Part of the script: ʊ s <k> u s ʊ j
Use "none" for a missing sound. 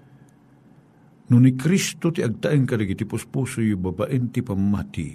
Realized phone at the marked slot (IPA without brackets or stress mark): p